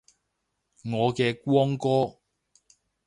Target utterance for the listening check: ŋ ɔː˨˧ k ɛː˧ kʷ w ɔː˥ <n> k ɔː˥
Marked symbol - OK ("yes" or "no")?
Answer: no